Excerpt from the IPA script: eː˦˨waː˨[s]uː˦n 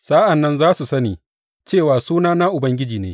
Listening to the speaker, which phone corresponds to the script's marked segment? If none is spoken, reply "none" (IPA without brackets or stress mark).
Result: s